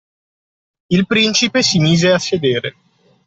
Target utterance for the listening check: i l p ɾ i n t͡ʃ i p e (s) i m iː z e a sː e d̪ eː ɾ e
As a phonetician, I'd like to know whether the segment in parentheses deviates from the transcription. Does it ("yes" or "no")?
no